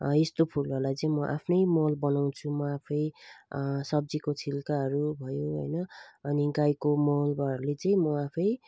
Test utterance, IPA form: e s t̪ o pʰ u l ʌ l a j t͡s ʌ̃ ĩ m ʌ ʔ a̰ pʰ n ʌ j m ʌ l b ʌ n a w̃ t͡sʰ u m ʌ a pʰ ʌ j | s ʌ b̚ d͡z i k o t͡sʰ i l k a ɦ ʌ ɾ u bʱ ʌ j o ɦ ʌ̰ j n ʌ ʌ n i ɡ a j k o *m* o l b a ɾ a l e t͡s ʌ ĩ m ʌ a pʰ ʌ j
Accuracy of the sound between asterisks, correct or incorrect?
correct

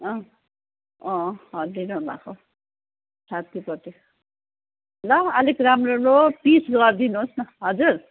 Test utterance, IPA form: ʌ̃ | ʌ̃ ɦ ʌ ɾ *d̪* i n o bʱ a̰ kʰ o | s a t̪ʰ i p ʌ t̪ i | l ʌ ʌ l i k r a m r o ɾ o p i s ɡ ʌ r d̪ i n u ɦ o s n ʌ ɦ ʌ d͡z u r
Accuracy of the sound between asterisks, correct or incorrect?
correct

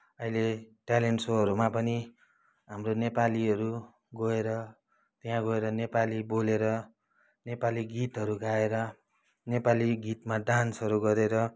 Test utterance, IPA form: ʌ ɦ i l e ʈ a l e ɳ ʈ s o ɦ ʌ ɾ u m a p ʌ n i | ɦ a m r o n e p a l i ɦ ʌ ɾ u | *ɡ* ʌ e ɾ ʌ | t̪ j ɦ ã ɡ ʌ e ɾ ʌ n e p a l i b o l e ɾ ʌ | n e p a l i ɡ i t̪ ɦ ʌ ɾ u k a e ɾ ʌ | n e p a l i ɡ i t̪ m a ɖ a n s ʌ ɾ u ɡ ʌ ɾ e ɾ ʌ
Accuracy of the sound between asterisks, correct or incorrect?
correct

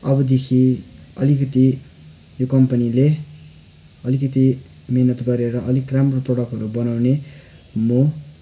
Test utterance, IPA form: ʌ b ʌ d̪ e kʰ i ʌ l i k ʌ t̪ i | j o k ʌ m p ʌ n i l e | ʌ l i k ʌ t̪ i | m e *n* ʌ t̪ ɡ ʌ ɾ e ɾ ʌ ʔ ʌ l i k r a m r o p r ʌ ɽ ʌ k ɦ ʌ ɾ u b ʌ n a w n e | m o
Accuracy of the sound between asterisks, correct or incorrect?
correct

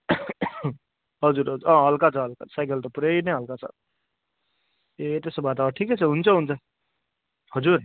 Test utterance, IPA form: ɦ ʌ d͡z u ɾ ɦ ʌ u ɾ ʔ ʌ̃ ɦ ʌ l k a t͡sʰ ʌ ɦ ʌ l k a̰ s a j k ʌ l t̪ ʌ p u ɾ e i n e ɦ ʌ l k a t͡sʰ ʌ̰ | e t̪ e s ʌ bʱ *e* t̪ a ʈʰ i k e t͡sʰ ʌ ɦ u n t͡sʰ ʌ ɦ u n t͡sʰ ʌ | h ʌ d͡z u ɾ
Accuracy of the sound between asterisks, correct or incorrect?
incorrect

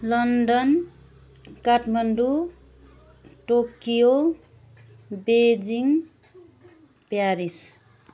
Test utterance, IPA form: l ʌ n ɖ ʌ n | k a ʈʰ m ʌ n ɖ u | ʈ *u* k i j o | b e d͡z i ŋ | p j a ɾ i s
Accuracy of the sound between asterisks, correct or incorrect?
incorrect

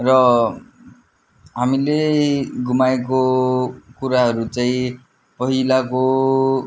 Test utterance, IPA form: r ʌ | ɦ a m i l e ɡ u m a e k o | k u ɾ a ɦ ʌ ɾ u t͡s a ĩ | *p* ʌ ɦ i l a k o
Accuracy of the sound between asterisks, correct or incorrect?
correct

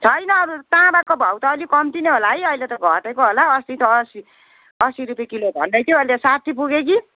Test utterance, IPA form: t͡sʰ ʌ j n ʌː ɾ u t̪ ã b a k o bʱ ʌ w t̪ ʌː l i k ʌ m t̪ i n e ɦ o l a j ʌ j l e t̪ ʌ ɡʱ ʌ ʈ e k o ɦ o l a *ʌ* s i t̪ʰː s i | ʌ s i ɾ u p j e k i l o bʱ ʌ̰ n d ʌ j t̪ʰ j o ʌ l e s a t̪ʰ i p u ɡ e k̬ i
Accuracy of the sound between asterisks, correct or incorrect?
correct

